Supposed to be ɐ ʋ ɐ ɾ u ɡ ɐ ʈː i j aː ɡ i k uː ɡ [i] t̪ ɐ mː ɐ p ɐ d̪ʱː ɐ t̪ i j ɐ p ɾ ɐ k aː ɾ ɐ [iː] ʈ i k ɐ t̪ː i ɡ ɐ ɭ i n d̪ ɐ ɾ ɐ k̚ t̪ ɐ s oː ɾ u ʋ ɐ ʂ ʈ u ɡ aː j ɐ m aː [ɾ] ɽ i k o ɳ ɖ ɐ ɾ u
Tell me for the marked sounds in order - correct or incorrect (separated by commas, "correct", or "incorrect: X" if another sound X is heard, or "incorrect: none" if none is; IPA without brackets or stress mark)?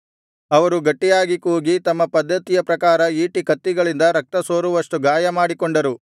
correct, correct, incorrect: none